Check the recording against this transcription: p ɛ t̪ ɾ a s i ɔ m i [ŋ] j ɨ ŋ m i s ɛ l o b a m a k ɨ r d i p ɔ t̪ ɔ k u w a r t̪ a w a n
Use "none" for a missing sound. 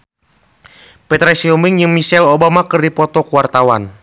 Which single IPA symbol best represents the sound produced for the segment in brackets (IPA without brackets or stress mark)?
ŋ